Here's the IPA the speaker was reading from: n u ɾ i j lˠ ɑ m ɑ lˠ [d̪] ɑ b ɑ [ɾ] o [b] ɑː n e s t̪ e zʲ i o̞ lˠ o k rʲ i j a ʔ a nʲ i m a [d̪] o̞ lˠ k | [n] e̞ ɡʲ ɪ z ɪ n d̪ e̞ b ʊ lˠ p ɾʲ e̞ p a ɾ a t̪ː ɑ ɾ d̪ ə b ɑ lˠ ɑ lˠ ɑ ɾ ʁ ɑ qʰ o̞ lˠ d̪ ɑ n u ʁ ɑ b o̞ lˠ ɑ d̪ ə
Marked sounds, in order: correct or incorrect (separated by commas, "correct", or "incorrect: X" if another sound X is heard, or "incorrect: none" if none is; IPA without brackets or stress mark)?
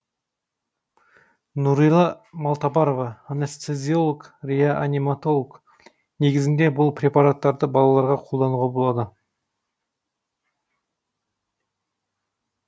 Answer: incorrect: t̪, correct, incorrect: v, incorrect: t̪, correct